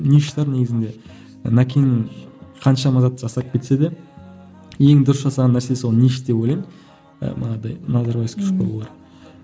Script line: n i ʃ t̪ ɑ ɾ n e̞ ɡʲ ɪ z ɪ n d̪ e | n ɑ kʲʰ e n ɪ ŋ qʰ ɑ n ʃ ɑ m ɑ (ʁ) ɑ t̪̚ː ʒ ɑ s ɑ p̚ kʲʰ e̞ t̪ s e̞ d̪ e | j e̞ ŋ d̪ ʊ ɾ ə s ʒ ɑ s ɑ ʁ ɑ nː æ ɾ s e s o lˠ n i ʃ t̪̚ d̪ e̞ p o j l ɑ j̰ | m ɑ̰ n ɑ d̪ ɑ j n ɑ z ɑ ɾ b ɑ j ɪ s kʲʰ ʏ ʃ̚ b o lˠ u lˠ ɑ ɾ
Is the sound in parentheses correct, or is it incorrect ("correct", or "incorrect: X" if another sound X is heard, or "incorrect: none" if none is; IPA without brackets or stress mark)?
incorrect: z